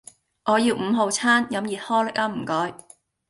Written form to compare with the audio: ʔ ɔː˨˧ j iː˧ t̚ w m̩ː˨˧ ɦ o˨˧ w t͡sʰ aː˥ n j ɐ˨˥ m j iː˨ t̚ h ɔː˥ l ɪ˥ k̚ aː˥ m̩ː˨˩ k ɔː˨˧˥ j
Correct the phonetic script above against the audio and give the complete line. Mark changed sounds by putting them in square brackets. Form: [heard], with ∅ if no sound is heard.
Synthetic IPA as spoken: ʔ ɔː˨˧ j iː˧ [∅] w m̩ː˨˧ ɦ o˨˧ w t͡sʰ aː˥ n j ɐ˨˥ m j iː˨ t̚ h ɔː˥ l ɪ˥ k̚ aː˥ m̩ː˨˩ k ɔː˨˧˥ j